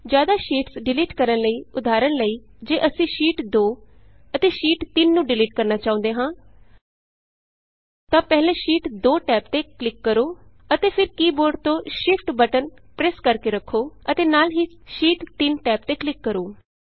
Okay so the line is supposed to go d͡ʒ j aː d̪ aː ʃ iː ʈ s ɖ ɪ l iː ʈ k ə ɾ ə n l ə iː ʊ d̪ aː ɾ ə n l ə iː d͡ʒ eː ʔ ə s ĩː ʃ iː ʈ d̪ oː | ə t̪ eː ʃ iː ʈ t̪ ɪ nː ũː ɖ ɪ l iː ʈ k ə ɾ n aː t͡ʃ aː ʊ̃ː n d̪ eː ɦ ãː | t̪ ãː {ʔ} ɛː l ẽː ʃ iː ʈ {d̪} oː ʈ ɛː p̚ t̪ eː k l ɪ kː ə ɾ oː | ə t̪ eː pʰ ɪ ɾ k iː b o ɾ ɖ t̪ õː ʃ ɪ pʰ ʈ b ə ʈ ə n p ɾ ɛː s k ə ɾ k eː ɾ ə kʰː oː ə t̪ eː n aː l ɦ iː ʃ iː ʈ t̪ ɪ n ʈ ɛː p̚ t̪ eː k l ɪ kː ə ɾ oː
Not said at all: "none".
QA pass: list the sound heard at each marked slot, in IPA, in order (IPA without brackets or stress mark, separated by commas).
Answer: p, d̪